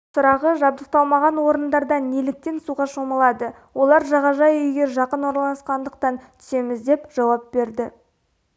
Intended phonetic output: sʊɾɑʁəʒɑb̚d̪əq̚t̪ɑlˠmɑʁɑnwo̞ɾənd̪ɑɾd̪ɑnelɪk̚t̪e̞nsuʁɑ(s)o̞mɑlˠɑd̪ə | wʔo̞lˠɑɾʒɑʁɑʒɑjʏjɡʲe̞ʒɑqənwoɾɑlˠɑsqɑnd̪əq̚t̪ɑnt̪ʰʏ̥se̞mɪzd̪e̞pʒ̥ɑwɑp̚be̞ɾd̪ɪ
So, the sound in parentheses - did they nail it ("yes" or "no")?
no